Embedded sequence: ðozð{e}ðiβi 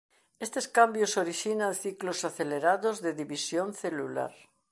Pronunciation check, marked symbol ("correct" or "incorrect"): correct